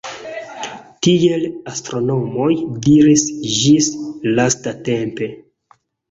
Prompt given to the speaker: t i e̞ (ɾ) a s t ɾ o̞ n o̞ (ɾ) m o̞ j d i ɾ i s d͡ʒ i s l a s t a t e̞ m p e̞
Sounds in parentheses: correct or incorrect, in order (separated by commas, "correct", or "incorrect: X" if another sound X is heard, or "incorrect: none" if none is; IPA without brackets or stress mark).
incorrect: l, incorrect: none